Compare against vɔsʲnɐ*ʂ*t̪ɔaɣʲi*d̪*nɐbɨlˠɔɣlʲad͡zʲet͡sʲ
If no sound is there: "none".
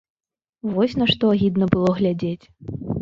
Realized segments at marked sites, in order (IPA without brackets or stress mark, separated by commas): ʂ, d̪